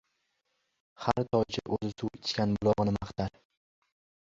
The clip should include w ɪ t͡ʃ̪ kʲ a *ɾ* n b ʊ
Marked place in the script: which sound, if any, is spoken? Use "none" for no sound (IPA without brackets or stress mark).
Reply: none